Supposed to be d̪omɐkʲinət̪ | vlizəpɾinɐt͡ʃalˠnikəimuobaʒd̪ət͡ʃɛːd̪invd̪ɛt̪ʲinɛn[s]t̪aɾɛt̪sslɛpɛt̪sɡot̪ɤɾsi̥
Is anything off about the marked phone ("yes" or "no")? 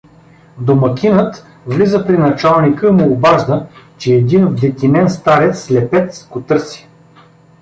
no